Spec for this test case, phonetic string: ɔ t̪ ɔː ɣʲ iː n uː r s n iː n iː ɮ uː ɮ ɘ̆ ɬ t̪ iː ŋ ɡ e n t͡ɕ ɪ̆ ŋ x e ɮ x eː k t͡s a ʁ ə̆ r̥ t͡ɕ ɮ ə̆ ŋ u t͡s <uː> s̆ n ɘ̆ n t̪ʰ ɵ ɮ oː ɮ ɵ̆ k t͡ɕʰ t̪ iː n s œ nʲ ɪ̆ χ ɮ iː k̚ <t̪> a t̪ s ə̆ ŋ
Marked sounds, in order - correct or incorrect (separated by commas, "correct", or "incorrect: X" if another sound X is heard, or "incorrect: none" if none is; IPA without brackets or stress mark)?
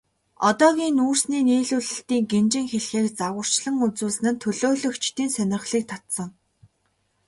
correct, incorrect: t̪ʰ